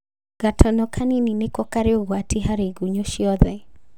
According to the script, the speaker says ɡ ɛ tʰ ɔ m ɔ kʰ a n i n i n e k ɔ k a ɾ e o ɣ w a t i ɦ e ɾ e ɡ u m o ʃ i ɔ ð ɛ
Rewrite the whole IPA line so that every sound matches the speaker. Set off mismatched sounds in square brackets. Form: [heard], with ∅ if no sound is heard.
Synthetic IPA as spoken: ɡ [a] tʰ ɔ [n] ɔ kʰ a n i n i n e k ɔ k a ɾ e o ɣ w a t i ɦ [a] ɾ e ɡ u [ɲ] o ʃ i ɔ ð ɛ